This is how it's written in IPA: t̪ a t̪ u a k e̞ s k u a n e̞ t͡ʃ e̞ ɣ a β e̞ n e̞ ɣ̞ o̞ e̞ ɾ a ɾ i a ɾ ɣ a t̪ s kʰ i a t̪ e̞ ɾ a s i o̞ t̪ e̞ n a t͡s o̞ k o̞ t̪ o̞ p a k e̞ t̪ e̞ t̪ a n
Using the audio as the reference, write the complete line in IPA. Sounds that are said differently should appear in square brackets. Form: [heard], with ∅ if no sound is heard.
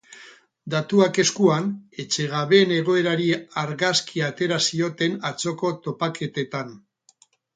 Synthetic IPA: [d̪] a t̪ u a k e̞ s k u a n e̞ t͡ʃ e̞ ɣ a β e̞ n e̞ ɣ̞ o̞ e̞ ɾ a ɾ i a ɾ ɣ a [∅] s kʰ i a t̪ e̞ ɾ a s i o̞ t̪ e̞ n a t͡s o̞ k o̞ t̪ o̞ p a k e̞ t̪ e̞ t̪ a n

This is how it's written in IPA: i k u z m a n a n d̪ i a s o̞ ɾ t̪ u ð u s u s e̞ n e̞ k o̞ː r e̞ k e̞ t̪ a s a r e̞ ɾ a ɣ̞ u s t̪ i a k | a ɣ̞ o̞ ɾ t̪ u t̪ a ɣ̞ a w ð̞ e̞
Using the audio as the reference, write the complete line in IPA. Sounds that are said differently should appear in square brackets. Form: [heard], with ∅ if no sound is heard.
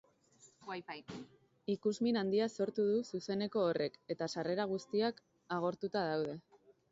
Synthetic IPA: i k u z m [i] n a n d̪ i a s o̞ ɾ t̪ u ð u s u s e̞ n e̞ k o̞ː r e̞ k e̞ t̪ a s a r e̞ ɾ a ɣ̞ u s t̪ i a k | a ɣ̞ o̞ ɾ t̪ u t̪ a [ð̞] a w ð̞ e̞

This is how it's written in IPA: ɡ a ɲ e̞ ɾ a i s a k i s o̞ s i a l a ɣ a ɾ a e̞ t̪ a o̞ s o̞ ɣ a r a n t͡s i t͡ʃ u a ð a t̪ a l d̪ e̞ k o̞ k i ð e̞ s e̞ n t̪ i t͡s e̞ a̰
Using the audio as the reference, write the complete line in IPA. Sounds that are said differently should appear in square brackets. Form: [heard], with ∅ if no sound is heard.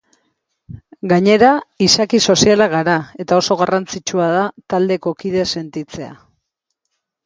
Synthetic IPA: ɡ a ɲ e̞ ɾ a i s a k i s o̞ s i a l a ɣ a ɾ a e̞ t̪ a o̞ s o̞ ɣ a r a n t͡s i t͡ʃ u a ð a t̪ a l d̪ e̞ k o̞ k i ð e̞ s e̞ n t̪ i t͡s e̞ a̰

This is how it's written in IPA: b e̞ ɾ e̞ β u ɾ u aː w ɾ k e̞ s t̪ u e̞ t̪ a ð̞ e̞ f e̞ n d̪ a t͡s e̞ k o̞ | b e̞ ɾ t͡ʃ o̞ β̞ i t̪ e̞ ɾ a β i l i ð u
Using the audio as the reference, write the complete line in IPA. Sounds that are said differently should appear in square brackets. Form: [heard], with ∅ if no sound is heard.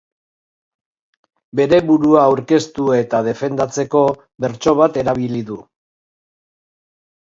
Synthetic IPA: b e̞ ɾ e̞ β u ɾ u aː w ɾ k e̞ s t̪ u e̞ t̪ a ð̞ e̞ f e̞ n d̪ a t͡s e̞ k o̞ | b e̞ ɾ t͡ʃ o̞ β̞ [a] t̪ e̞ ɾ a β i l i ð u

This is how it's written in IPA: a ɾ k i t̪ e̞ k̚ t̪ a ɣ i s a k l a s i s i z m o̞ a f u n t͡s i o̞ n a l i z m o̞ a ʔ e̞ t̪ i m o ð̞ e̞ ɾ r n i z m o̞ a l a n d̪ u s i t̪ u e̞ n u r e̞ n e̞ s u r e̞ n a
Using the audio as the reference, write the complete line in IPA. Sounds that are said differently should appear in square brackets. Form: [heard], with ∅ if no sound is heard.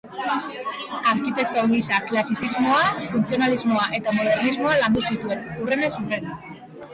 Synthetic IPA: a ɾ k i t̪ e̞ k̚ t̪ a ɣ i s a k l a s i s i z m o̞ a f u n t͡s i o̞ n a l i z m o̞ a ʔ e̞ t̪ [a] m o ð̞ e̞ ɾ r n i z m o̞ a l a n d̪ u s i t̪ u e̞ n u r e̞ n e̞ s u r e̞ n a

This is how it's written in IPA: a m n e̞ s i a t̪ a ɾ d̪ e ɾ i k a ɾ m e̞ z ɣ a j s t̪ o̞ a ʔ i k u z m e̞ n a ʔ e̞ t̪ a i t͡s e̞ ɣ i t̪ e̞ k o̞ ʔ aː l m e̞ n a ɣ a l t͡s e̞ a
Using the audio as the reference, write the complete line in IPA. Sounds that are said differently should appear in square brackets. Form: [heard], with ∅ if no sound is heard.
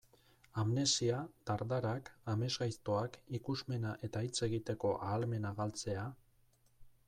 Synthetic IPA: a m n e̞ s i a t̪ a ɾ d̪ [a] ɾ [a] k a [∅] m e̞ z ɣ a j s t̪ o̞ a [k] i k u z m e̞ n a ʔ e̞ t̪ a i t͡s e̞ ɣ i t̪ e̞ k o̞ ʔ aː l m e̞ n a ɣ a l t͡s e̞ a

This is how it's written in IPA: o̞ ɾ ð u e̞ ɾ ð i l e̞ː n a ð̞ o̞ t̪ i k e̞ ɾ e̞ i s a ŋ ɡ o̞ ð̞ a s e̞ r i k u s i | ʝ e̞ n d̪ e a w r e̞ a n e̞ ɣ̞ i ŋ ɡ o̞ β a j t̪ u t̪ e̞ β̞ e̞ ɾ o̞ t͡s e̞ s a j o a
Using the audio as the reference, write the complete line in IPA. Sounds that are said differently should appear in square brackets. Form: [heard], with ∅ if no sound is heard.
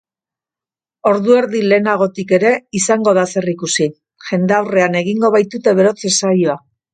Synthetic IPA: o̞ ɾ ð u e̞ ɾ ð i l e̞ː n a [ɣ̞] o̞ t̪ i k e̞ ɾ e̞ i s a ŋ ɡ o̞ ð̞ a s e̞ r i k u s i | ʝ e̞ n d̪ e a w r e̞ a n e̞ ɣ̞ i ŋ ɡ o̞ β a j t̪ u t̪ e̞ β̞ e̞ ɾ o̞ t͡s e̞ s a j o a

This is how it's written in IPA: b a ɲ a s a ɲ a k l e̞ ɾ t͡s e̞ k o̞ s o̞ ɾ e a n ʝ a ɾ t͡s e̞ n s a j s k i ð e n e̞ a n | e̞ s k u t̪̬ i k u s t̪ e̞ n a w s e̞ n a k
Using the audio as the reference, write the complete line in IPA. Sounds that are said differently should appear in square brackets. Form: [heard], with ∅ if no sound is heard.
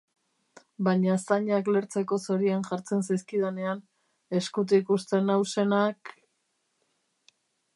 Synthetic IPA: b a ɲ a s a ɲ a k l e̞ ɾ t͡s e̞ k o̞ s o̞ ɾ [i] a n ʝ a ɾ t͡s e̞ n s a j s k i ð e n e̞ a n | e̞ s k u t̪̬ i k u s t̪ e̞ n a w s e̞ n a k

